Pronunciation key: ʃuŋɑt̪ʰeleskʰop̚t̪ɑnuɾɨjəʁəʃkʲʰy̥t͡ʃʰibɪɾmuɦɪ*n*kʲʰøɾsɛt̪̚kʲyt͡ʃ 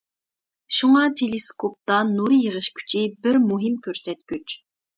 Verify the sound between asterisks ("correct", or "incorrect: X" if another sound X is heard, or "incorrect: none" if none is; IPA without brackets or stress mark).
incorrect: m